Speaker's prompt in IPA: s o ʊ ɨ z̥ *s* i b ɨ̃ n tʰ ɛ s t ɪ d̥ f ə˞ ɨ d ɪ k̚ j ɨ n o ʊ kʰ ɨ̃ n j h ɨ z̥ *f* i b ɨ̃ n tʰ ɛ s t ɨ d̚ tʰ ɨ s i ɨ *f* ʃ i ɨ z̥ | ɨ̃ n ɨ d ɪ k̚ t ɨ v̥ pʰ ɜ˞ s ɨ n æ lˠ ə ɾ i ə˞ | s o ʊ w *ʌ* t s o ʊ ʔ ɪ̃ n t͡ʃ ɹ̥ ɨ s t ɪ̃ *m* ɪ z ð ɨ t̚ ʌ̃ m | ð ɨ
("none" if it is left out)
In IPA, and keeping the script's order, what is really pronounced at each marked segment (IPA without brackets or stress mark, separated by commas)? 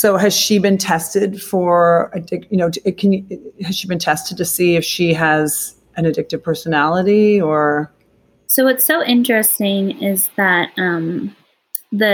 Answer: ʃ, ʃ, f, ʌ, ŋ